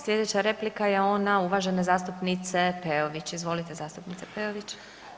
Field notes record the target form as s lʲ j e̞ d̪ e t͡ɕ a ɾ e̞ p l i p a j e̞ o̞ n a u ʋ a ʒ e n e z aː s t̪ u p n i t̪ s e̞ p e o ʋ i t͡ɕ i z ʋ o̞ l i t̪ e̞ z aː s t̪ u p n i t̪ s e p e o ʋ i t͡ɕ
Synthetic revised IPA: s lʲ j e̞ d̪ e t͡ɕ a ɾ e̞ p l i k a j e̞ o̞ n a u ʋ a ʒ e n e z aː s t̪ u p n i t̪ s e̞ p e o ʋ i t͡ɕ i z ʋ o̞ l i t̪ e̞ z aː s t̪ u p n i t̪ s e p e o ʋ i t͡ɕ